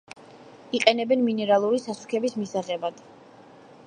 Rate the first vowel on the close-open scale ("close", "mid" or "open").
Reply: close